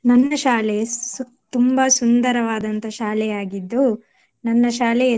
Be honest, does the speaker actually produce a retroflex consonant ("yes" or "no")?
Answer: no